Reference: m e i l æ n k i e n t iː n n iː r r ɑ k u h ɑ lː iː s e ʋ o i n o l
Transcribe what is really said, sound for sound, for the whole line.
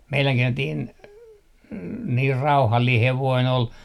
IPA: m e i l æ ŋ k i e n t iː n n iː r r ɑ u h ɑ lː iː h e ʋ o i n o l